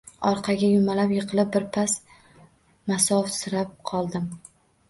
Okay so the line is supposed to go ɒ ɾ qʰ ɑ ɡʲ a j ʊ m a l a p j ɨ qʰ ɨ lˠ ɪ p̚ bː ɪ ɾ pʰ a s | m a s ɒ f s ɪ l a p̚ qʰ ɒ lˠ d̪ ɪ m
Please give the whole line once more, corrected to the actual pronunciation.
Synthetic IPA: ɒ ɾ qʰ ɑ ɡʲ a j ʊ m a l a p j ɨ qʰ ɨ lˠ ɪ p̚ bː ɪ ɾ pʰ a s | m a s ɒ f s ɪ ɾ a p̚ qʰ ɒ lˠ d̪ ɪ m